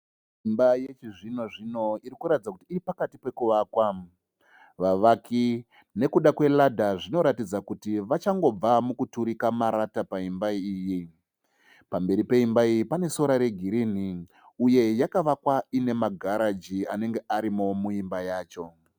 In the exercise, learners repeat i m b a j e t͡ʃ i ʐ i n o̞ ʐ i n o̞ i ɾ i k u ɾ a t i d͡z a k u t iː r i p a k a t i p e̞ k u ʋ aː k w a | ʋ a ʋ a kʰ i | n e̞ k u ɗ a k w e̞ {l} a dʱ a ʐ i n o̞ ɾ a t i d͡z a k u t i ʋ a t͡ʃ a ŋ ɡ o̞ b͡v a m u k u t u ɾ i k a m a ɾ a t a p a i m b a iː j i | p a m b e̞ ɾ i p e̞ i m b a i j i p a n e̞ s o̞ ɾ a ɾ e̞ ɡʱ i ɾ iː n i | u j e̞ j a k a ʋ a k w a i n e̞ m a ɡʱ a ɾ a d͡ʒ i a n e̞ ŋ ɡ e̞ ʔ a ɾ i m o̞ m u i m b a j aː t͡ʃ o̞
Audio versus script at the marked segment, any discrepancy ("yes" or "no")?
no